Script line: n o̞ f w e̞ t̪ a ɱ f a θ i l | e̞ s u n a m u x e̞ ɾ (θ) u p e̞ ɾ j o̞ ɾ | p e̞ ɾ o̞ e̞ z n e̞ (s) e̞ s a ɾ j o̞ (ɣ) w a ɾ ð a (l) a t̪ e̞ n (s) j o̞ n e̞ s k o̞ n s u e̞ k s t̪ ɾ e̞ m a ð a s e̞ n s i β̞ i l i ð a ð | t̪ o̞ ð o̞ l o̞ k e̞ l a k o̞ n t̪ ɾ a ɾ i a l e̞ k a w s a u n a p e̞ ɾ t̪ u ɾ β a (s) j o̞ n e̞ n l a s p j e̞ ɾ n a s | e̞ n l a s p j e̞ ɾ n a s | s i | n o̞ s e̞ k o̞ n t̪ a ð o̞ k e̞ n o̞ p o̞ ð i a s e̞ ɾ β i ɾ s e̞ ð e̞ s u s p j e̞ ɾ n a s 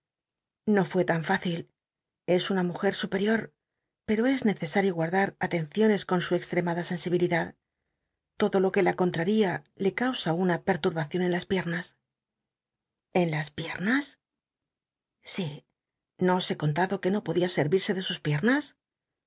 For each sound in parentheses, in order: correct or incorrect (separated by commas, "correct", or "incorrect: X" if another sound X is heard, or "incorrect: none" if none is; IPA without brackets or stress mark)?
incorrect: s, incorrect: θ, correct, incorrect: ɾ, incorrect: θ, incorrect: θ